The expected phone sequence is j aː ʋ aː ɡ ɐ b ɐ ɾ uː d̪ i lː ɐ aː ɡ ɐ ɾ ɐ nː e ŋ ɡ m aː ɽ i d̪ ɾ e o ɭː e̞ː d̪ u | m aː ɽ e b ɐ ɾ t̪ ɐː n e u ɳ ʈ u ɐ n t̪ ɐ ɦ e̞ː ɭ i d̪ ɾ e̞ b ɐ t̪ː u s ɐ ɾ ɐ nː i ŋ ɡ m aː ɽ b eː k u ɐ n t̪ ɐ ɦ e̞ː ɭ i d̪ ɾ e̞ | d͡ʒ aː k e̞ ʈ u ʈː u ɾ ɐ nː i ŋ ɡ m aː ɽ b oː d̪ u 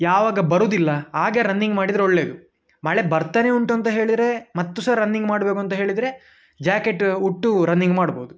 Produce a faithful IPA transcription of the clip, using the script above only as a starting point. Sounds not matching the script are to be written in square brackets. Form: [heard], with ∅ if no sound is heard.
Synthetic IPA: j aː ʋ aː ɡ ɐ b ɐ ɾ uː d̪ i lː ɐ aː ɡ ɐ ɾ ɐ nː [i] ŋ ɡ m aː ɽ i d̪ ɾ e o ɭː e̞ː d̪ u | m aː [ɭ] e b ɐ ɾ t̪ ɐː n e u ɳ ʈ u ɐ n t̪ ɐ ɦ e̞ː ɭ i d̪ ɾ e̞ [m] ɐ t̪ː u s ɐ ɾ ɐ nː i ŋ ɡ m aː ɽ b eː k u ɐ n t̪ ɐ ɦ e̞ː ɭ i d̪ ɾ e̞ | d͡ʒ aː k e̞ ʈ u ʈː u ɾ ɐ nː i ŋ ɡ m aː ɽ b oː d̪ u